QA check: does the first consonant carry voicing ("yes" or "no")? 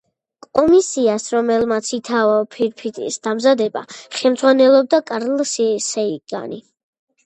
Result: no